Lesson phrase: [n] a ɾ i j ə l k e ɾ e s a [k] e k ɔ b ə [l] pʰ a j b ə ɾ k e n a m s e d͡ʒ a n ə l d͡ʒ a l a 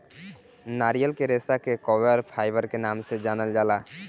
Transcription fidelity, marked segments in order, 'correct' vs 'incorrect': correct, correct, incorrect: ɾ

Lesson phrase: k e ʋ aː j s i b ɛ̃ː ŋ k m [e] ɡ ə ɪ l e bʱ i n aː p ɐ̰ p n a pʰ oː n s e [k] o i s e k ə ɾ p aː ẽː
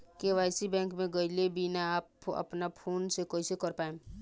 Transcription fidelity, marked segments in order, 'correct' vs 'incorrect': incorrect: ẽ, correct

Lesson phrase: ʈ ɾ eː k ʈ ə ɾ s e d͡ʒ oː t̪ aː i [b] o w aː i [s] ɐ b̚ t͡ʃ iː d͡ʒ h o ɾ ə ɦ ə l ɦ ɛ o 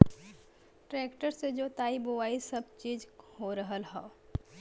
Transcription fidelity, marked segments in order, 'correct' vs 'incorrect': correct, correct

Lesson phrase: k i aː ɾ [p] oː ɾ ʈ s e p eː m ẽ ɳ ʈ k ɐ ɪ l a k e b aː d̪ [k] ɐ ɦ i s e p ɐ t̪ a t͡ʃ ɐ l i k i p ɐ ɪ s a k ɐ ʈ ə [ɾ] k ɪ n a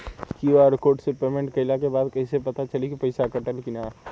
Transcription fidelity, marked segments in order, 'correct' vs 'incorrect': incorrect: k, correct, incorrect: l

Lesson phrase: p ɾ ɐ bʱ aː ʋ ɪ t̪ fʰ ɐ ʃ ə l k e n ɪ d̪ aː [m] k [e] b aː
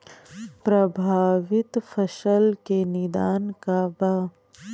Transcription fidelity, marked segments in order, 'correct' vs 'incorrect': incorrect: n, incorrect: a

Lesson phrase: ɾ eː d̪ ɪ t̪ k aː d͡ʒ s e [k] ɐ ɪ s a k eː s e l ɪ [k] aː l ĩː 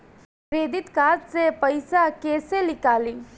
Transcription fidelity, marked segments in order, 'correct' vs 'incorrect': incorrect: p, correct

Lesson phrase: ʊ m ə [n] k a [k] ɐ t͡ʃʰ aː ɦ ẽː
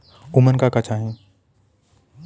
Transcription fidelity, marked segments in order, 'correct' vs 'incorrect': correct, correct

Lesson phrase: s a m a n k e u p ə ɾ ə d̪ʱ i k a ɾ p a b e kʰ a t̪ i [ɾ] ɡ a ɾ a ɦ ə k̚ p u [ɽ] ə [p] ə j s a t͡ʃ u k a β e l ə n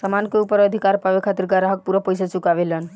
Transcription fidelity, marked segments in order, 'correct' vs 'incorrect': correct, incorrect: ɾ, correct

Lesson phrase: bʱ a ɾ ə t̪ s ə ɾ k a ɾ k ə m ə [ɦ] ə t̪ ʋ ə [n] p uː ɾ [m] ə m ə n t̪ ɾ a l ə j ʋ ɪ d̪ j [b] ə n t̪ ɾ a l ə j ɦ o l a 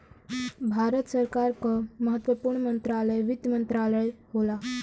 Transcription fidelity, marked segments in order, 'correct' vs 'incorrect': correct, incorrect: none, incorrect: ɳ, incorrect: m

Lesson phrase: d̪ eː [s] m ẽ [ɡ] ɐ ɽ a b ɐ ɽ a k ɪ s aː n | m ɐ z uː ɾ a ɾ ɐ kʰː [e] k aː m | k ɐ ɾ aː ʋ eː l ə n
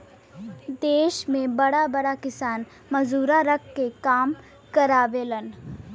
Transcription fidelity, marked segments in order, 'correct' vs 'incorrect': incorrect: ʃ, incorrect: b, correct

